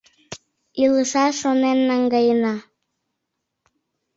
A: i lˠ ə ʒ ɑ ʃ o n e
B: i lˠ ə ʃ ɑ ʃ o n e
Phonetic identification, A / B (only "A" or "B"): B